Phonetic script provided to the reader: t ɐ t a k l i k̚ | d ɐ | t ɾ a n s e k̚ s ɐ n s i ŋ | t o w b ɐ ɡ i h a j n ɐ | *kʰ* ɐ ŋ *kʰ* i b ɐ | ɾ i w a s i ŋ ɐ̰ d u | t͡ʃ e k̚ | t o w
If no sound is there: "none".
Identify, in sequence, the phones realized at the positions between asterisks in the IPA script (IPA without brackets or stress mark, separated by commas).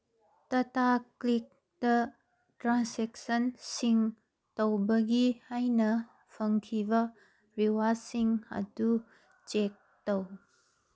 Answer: pʰ, kʰ